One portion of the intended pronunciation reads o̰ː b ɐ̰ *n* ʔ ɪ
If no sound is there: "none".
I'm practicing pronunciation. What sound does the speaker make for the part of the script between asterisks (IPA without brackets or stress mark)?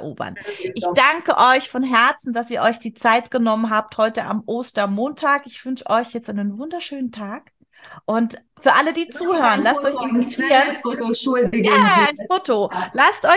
n